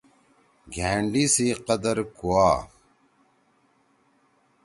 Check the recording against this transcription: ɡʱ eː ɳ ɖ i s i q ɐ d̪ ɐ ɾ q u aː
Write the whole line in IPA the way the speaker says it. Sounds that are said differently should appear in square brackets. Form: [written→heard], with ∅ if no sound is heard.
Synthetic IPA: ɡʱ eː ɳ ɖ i s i q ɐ d̪ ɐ ɾ [q→k] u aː